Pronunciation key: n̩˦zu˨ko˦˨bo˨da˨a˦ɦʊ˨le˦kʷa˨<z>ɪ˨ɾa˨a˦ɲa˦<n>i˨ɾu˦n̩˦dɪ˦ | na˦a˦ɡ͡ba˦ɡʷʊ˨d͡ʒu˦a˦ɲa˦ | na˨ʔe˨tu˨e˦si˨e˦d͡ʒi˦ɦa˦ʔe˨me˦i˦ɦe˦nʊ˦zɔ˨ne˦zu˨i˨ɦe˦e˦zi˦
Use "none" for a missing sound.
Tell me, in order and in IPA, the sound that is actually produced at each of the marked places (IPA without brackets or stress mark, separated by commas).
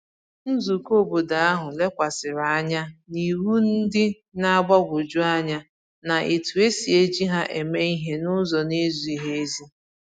s, n